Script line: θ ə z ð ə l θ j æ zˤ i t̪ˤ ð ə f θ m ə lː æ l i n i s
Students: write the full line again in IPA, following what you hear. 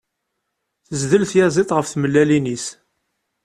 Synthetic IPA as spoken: θ ə z ð ə l θ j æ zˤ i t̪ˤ ʁ ə f θ m ə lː æ l i n i s